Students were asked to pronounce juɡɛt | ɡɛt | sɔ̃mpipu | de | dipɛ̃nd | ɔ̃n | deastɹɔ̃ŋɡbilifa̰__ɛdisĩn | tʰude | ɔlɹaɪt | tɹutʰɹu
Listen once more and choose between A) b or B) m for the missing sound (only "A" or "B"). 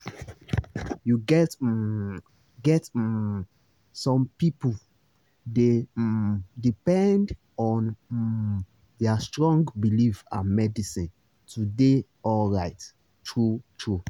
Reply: B